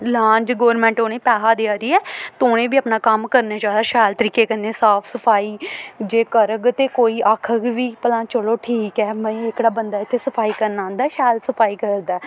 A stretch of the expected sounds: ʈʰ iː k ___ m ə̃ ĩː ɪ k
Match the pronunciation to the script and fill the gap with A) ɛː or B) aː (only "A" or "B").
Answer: A